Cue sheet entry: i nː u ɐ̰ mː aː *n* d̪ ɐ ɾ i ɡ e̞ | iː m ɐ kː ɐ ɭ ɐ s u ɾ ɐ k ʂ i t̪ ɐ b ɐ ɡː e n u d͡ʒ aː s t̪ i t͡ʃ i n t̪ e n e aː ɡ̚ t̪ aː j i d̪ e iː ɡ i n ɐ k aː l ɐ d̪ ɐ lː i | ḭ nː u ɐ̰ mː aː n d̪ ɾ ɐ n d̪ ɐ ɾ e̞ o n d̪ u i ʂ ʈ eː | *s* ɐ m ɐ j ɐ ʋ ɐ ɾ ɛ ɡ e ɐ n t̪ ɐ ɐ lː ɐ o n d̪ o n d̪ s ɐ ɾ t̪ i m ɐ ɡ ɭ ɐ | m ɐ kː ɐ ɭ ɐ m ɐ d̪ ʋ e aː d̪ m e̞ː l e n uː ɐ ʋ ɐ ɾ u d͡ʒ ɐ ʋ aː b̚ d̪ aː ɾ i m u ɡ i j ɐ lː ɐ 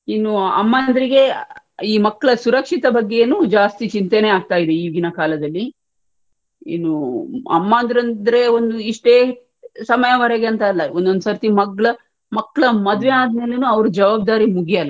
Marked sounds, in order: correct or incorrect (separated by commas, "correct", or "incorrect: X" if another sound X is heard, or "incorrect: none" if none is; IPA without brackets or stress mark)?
correct, correct